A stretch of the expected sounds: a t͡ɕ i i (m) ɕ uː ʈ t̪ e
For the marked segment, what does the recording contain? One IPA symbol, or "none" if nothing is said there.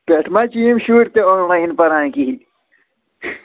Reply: m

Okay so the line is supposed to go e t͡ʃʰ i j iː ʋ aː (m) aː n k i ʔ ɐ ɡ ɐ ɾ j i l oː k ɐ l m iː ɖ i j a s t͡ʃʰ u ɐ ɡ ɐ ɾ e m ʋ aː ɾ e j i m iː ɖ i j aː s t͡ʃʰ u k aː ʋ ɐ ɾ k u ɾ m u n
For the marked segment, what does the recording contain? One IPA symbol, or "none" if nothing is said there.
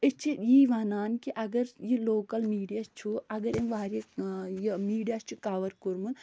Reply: n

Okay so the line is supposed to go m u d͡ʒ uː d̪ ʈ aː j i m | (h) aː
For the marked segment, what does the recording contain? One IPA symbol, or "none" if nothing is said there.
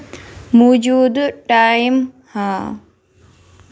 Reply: h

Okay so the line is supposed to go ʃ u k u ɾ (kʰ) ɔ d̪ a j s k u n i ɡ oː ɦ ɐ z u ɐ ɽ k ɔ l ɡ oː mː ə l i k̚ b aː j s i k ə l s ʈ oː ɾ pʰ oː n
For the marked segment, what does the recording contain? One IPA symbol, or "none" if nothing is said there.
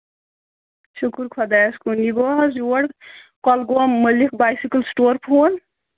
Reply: kʰ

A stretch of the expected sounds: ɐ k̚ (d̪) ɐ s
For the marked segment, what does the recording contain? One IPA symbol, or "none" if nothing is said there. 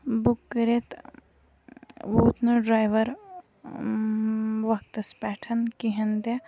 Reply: t̪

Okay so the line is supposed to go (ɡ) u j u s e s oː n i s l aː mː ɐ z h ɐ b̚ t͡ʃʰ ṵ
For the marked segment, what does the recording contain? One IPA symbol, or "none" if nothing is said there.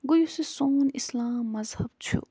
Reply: ɡ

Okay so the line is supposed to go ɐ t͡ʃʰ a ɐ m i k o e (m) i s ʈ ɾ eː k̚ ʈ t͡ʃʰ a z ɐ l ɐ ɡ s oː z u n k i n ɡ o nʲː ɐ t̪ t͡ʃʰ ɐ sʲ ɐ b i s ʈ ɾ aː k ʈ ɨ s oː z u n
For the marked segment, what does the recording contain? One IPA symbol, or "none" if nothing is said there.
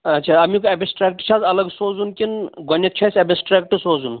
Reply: b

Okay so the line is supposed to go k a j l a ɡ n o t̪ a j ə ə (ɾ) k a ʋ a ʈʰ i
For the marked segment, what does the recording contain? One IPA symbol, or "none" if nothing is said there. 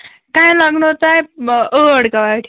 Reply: ɽ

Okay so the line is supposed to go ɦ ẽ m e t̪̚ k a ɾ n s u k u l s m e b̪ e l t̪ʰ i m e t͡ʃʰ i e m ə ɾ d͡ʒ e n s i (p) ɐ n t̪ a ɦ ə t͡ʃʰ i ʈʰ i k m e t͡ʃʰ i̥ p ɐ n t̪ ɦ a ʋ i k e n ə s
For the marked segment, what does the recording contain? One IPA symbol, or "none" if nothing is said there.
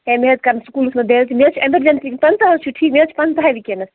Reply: p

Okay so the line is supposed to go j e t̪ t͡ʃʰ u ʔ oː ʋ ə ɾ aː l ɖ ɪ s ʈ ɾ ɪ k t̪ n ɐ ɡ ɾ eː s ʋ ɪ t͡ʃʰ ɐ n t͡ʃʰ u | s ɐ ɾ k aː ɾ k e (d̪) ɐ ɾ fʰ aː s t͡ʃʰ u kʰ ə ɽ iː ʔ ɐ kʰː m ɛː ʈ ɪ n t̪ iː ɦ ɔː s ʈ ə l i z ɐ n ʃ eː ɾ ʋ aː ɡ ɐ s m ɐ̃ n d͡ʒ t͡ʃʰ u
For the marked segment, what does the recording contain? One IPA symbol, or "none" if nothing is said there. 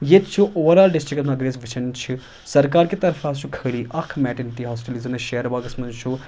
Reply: t̪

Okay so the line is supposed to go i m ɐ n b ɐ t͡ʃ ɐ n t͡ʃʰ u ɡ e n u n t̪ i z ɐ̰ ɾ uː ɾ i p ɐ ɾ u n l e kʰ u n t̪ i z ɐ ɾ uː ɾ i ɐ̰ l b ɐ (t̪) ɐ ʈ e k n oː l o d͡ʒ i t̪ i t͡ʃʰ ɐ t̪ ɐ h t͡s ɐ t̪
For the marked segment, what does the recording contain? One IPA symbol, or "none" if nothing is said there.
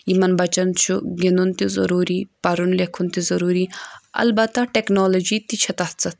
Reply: t̪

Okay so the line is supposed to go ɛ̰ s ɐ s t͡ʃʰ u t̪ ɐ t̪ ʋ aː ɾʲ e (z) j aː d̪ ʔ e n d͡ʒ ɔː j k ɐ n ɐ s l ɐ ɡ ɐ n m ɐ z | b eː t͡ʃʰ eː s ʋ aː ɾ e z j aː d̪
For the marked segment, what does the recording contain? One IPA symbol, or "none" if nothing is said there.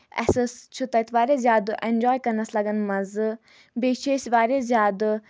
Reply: z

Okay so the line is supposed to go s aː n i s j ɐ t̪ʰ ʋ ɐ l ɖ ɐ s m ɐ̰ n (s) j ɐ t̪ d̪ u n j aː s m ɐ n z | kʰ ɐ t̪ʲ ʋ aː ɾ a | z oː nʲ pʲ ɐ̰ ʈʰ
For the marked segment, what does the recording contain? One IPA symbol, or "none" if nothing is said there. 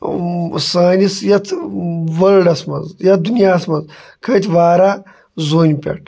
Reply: z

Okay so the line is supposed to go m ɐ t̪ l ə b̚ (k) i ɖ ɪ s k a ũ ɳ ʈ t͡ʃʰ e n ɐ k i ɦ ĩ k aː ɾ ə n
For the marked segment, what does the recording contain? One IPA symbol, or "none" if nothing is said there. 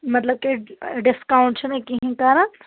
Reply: k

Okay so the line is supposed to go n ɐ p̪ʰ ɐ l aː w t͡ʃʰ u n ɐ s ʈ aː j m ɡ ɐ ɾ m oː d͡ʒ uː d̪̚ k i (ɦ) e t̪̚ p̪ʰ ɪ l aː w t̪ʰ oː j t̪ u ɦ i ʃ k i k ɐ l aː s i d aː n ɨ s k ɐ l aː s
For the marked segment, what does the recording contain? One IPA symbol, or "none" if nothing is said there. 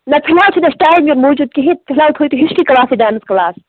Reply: ɦ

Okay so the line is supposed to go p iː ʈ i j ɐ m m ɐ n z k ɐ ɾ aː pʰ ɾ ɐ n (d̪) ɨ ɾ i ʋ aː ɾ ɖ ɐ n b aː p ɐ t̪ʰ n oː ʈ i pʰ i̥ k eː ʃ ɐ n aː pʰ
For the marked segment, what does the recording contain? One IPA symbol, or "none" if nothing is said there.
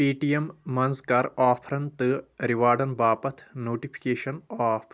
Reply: t̪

